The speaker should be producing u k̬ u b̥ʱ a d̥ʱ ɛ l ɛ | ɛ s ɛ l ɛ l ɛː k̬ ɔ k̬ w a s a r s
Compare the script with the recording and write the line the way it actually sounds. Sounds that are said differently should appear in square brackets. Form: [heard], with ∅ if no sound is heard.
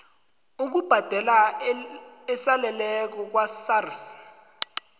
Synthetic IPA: u k̬ u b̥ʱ a d̥ʱ ɛ l [a] | ɛ s [a] l ɛ l [ɛ] k̬ ɔ k̬ w a s a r s